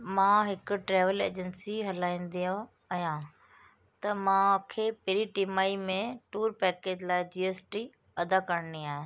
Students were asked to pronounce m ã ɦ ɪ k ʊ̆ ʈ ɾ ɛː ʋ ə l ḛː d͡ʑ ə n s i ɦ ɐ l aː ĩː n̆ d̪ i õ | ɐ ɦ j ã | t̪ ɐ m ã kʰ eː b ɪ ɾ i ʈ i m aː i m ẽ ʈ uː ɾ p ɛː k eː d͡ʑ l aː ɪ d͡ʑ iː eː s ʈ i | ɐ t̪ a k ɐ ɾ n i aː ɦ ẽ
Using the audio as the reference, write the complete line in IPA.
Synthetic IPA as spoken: m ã ɦ ɪ k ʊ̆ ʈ ɾ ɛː ʋ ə l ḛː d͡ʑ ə n s i ɦ ɐ l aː ĩː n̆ d̪ i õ | ɐ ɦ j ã | t̪ ɐ m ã kʰ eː p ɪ ɾ i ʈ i m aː i m ẽ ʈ uː ɾ p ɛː k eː d͡ʑ l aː ɪ d͡ʑ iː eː s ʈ i | ɐ d̪ a k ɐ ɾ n i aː ɦ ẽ